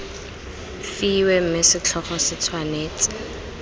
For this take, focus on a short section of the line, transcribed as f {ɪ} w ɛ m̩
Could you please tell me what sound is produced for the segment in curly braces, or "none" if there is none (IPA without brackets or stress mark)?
i